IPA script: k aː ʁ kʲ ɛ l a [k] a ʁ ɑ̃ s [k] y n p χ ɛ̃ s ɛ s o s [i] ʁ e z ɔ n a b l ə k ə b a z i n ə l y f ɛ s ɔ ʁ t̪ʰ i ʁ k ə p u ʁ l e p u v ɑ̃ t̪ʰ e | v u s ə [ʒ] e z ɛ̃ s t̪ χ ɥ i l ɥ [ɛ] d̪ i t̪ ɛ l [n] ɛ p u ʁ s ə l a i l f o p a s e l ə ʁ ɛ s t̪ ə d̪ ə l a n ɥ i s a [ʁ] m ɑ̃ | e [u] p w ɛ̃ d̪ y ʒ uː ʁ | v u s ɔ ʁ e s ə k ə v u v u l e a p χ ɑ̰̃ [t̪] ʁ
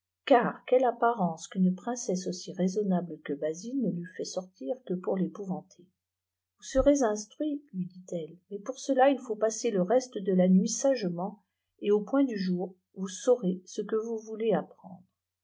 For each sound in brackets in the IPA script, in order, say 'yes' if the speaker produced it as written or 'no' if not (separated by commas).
no, yes, yes, no, no, no, no, no, no